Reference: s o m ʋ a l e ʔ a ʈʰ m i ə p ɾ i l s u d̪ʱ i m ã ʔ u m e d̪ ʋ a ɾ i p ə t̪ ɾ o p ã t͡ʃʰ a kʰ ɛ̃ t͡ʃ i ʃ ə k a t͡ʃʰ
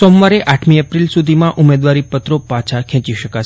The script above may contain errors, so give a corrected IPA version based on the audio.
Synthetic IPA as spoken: s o m ʋ a ɾ e ʔ a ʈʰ m i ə p ɾ i l s u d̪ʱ i m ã ʔ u m e d̪ ʋ a ɾ i p ə t̪ ɾ o p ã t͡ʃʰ a kʰ ɛ̃ t͡ʃ i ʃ ə k a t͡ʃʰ